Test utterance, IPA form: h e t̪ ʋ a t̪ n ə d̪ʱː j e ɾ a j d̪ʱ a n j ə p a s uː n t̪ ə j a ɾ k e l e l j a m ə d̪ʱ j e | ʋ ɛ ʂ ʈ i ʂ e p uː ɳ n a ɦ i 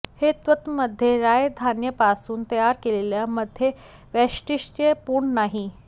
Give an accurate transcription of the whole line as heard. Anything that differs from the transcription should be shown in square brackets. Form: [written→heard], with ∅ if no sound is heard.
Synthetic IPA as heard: h e t̪ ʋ [a→ə] t̪ [n→m] ə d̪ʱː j e ɾ a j d̪ʱ a n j ə p a s uː n t̪ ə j a ɾ k e l e l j a m ə d̪ʱ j e | ʋ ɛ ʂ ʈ i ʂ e p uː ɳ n a ɦ i

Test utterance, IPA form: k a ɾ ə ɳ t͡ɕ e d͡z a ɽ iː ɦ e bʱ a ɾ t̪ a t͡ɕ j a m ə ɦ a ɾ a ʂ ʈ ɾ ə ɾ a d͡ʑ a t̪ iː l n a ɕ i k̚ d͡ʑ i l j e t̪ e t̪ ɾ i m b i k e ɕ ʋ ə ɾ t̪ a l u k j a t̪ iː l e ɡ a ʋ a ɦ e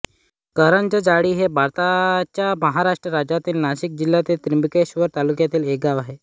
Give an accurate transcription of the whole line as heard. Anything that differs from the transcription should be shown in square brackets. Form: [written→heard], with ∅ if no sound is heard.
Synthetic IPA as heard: k [a→ə] ɾ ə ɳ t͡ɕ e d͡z a ɽ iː ɦ e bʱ a ɾ t̪ a t͡ɕ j a m ə ɦ a ɾ a ʂ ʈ ɾ ə ɾ a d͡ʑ a t̪ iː l n a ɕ i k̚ d͡ʑ i l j [e→a] t̪ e t̪ ɾ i m b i k e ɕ ʋ ə ɾ t̪ a l u k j a t̪ iː l e ɡ a ʋ a ɦ e

